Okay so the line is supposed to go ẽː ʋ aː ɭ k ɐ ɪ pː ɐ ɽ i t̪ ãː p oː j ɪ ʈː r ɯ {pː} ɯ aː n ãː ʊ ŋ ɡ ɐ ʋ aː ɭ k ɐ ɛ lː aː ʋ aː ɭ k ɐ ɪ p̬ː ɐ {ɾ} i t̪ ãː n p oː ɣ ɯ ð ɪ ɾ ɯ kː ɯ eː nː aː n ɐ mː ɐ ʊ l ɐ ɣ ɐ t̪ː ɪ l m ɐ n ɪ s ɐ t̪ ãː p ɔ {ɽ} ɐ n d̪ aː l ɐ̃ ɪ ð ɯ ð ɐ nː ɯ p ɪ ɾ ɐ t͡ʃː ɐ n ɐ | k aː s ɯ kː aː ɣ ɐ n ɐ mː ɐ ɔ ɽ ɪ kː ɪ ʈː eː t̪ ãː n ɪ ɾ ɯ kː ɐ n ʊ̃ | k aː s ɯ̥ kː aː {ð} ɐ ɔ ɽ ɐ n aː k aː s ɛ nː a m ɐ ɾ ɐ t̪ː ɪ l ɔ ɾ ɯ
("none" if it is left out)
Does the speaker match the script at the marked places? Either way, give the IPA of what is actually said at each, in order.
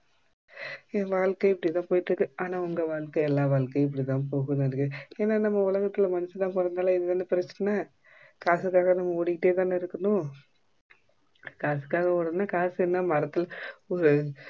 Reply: kː, ɽ, ɾ, ɣ

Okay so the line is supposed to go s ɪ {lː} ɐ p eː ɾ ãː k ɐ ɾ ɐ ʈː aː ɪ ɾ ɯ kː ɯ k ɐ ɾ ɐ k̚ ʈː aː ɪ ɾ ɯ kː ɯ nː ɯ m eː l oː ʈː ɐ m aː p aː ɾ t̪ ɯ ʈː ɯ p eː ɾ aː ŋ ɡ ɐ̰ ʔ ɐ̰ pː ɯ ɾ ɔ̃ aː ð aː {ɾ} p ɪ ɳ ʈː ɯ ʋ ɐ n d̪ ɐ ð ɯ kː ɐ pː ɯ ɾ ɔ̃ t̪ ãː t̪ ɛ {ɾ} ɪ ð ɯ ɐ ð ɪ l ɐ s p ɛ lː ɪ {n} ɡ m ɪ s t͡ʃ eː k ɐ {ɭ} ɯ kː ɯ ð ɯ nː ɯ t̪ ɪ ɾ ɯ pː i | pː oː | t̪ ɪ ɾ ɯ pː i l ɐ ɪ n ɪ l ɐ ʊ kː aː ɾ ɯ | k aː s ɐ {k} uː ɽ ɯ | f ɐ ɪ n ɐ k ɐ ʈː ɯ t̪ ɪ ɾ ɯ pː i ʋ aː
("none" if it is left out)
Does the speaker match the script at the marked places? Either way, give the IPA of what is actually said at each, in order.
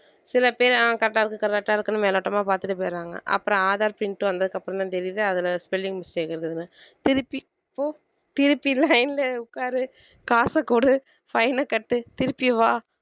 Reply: l, ɾ, ɾ, ŋ, ɾ, k

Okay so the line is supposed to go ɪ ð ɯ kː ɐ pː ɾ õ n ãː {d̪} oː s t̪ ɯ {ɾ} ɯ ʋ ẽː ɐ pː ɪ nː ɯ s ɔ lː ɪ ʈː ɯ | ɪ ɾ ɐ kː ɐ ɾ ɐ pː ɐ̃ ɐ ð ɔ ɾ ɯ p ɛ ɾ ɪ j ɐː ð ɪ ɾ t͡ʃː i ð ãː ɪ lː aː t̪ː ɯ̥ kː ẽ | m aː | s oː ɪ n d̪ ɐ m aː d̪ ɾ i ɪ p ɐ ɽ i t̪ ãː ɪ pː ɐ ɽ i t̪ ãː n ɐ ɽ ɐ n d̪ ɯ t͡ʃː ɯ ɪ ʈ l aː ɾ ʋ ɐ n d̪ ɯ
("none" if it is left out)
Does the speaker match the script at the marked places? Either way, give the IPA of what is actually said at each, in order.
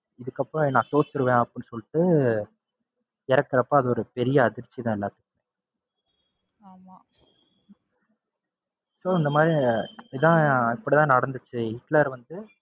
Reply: t̪, ɾ

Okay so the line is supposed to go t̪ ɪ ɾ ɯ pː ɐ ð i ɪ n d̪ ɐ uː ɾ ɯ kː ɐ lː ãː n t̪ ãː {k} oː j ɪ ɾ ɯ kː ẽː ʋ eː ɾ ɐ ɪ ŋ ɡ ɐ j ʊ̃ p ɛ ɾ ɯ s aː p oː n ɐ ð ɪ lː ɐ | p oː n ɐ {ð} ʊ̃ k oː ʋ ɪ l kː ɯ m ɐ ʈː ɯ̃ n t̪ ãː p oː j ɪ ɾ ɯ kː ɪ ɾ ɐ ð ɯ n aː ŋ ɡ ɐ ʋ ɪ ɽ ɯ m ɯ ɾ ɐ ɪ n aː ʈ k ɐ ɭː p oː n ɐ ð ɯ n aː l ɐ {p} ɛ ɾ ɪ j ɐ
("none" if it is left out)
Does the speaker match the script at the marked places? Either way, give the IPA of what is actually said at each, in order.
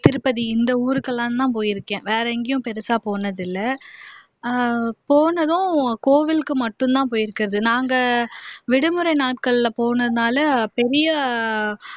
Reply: p, ð, p

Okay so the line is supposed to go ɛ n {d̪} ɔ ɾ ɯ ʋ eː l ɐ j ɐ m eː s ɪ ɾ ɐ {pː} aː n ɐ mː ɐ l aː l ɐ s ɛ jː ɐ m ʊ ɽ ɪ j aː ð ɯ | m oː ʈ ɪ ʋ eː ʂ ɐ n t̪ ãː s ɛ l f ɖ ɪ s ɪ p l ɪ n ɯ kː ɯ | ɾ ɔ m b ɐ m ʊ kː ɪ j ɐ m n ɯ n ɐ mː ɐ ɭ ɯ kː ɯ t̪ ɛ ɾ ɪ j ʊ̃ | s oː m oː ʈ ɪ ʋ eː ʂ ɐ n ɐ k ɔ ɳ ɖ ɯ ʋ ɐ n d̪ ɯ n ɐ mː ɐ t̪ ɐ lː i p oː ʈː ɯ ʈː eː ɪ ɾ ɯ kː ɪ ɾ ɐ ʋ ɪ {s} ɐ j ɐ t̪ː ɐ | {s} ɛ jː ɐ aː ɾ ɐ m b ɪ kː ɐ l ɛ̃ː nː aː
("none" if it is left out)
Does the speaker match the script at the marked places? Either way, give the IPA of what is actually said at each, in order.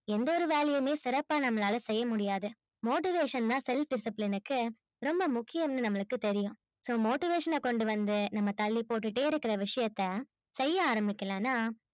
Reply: d̪, pː, ʂ, s

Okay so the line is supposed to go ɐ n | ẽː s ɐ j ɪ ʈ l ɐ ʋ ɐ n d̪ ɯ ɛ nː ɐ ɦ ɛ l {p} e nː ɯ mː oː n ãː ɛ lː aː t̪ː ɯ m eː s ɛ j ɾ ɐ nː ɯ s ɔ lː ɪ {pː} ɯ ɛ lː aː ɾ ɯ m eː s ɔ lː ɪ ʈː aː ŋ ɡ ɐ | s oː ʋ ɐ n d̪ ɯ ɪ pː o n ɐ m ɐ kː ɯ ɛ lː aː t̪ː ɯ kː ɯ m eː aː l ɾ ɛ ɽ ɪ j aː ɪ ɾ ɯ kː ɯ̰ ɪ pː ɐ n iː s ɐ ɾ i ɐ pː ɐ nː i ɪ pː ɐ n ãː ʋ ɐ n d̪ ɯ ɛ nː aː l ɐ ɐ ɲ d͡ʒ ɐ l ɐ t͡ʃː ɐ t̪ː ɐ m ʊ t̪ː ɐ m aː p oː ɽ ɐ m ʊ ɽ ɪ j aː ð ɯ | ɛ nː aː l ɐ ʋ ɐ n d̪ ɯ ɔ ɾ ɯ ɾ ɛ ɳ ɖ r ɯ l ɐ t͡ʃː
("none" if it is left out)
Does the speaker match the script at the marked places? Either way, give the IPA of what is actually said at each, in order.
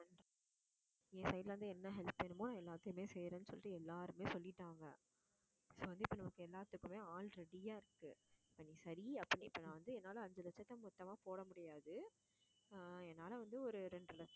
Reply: p, ʈː

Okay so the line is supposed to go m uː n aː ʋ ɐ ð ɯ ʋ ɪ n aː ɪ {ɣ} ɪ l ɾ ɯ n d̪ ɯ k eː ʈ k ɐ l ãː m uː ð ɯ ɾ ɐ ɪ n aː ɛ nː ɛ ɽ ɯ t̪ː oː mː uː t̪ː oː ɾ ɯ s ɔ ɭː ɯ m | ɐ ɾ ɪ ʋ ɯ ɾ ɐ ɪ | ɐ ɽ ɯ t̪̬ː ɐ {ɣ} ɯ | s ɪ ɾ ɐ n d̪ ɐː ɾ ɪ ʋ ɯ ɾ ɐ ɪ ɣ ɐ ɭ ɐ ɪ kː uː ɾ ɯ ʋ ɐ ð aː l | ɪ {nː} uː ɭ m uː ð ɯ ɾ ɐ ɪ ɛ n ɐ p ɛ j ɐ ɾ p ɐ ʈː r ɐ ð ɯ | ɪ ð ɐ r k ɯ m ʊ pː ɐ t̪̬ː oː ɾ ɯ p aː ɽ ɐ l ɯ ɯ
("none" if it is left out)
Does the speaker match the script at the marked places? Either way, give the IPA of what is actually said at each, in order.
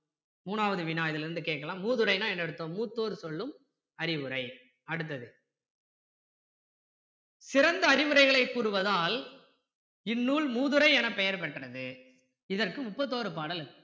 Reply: ð, ð, nː

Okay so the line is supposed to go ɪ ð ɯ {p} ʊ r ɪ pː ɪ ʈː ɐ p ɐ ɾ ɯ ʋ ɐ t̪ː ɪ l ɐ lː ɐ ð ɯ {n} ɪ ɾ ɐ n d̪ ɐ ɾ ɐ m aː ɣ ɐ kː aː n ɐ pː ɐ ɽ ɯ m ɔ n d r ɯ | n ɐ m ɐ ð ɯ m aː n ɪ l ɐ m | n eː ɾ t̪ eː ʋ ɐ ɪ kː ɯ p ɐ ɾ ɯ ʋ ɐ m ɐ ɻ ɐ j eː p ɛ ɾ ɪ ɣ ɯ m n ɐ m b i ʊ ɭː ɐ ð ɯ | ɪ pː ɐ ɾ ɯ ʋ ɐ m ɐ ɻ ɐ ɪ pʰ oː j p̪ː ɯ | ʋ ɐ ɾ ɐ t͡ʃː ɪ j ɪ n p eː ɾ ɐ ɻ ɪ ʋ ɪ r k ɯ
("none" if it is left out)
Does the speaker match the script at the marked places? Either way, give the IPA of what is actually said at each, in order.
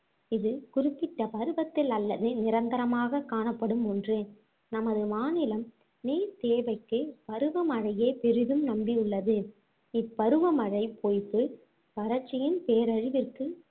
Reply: k, n

